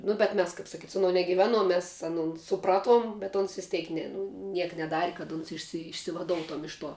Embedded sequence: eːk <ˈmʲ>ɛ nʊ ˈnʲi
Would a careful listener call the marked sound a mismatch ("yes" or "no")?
yes